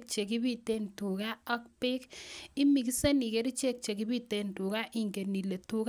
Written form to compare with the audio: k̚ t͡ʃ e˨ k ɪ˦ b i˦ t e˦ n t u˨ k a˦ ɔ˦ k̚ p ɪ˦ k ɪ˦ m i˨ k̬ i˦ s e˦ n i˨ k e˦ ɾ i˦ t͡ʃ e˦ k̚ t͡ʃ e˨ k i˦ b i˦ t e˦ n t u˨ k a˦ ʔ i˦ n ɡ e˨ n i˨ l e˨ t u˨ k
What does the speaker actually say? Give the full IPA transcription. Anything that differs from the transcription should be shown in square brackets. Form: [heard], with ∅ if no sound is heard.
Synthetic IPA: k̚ t͡ʃ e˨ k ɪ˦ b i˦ t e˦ n t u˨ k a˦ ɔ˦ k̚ p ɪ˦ k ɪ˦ m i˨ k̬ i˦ s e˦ n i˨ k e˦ ɾ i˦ t͡ʃ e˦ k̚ t͡ʃ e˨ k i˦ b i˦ t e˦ n t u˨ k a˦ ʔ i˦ [ŋ] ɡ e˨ n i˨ l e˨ t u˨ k